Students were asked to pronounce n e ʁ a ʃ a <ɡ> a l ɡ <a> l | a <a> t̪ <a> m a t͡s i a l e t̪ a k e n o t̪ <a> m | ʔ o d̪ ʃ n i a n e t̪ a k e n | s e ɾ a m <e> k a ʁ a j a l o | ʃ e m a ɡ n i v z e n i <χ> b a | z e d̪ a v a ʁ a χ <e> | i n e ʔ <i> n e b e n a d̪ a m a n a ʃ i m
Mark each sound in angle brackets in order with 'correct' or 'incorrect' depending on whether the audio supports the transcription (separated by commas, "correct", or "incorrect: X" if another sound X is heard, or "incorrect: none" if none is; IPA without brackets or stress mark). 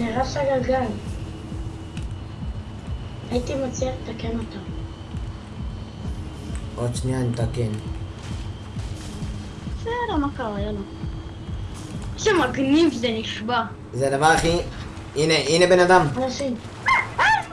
correct, correct, incorrect: i, incorrect: i, correct, incorrect: a, incorrect: ʃ, incorrect: i, correct